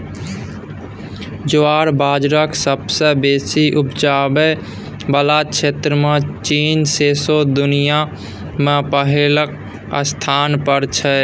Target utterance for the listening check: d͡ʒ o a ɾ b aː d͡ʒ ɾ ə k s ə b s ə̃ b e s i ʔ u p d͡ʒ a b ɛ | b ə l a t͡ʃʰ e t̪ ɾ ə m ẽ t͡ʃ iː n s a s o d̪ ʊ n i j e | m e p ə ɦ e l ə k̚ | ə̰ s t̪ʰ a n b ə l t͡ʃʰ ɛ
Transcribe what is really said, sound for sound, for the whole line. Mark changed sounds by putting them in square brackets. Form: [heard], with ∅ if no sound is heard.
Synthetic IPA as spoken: d͡ʒ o a ɾ b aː d͡ʒ ɾ ə k s ə b s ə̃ b e s i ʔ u p d͡ʒ a b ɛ | b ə l a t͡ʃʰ e t̪ ɾ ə m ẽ t͡ʃ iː n s [e] s o d̪ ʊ n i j [a] | m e p ə ɦ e l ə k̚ | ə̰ s t̪ʰ a n [p] ə [ɾ] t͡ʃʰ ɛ

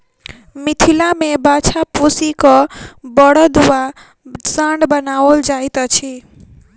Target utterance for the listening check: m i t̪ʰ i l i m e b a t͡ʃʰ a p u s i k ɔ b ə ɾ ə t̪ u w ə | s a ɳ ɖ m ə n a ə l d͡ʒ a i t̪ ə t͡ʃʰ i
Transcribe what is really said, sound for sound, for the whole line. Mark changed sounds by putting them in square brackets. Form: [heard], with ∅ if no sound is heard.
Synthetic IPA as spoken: m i t̪ʰ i l [a] m e b a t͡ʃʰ a p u s i k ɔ b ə [ɽ] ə [d̪] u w [a] | s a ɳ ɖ [b] ə n a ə l d͡ʒ a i t̪ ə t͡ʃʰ i

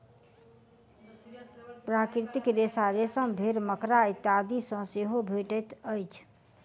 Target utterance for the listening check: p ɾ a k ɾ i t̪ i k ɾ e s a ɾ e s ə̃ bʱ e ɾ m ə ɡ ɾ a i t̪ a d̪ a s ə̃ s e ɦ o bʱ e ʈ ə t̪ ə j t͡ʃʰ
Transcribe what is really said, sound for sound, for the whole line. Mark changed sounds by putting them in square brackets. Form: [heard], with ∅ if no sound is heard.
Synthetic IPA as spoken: p ɾ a k ɾ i t̪ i k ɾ e s a ɾ e s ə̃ bʱ e ɾ m ə [k] ɾ a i t̪ a d̪ [i] s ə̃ s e ɦ o bʱ e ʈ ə t̪ ə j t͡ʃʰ

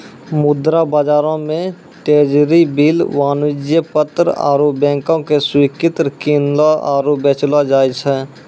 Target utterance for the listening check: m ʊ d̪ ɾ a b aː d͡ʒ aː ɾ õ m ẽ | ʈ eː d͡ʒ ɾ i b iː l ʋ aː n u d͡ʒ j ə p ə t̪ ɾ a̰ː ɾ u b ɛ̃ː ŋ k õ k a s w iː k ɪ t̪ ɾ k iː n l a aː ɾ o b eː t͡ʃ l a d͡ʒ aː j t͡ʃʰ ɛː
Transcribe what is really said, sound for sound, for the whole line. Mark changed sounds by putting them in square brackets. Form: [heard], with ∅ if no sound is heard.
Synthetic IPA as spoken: m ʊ d̪ ɾ a b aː d͡ʒ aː ɾ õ m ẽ | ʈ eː d͡ʒ ɾ i b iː l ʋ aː n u d͡ʒ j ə p ə t̪ ɾ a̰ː ɾ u b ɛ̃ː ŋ k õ k [e] s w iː k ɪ t̪ ɾ k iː n l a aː ɾ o b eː t͡ʃ l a d͡ʒ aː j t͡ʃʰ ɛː

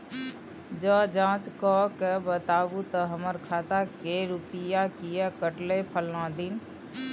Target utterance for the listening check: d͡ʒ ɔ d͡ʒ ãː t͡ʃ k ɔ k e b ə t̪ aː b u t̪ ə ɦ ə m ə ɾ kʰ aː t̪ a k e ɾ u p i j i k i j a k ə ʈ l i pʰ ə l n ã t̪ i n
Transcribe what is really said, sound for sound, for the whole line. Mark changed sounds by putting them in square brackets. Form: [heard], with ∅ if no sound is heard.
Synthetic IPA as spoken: d͡ʒ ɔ d͡ʒ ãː t͡ʃ k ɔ k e b ə t̪ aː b u t̪ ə ɦ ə m ə ɾ kʰ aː t̪ a k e ɾ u p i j [a] k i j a k ə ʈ l [e] pʰ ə l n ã [d̪] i n

